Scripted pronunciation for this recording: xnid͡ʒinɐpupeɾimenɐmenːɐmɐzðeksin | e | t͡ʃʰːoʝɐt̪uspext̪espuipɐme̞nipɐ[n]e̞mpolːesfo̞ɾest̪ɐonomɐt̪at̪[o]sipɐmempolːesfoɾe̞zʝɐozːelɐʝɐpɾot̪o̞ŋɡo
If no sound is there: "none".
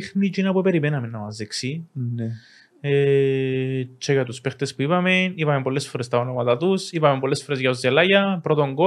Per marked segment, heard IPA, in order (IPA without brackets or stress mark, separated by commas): m, u